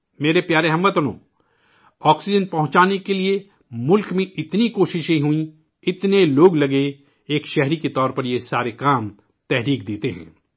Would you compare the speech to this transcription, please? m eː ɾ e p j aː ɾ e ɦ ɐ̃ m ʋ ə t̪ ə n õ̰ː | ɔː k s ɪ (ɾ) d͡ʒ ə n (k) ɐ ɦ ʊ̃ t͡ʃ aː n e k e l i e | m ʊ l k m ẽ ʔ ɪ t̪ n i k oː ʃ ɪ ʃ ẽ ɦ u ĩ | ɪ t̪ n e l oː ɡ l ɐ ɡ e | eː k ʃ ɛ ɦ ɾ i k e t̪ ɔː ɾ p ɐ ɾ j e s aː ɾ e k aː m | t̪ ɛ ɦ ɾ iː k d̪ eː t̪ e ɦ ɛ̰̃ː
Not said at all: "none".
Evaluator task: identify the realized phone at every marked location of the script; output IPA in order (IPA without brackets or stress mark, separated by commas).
none, p